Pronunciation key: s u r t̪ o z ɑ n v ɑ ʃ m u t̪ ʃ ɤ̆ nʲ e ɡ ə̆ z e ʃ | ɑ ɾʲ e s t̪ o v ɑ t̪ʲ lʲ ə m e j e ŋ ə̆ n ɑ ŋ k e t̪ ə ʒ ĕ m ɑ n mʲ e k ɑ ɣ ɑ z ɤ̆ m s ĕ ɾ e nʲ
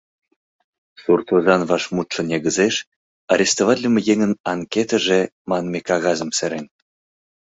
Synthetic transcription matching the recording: s u r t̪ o z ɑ n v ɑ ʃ m u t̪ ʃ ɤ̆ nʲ e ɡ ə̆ z e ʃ | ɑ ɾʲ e s t̪ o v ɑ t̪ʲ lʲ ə m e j e ŋ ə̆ n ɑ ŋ k e t̪ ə ʒ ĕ m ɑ n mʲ e k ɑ ɣ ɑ z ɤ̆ m s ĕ ɾ e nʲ